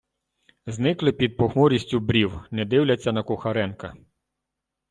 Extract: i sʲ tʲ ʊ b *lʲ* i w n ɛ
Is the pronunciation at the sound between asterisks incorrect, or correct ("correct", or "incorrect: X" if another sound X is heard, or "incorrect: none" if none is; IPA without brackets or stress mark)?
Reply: incorrect: ɾʲ